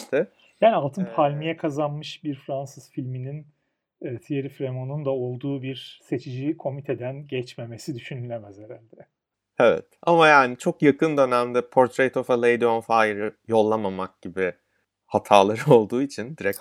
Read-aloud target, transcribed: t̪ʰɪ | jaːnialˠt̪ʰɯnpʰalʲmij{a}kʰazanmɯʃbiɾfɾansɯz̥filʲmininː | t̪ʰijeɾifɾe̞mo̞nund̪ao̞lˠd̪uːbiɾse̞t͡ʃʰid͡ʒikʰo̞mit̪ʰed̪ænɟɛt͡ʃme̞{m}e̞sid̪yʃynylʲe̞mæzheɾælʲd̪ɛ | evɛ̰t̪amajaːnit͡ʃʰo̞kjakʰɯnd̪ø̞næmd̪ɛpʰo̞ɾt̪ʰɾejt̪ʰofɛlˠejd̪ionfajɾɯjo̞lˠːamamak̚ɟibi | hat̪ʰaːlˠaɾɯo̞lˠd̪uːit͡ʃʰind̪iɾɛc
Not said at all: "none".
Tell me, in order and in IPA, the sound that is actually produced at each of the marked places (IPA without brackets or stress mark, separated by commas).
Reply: ɛ, m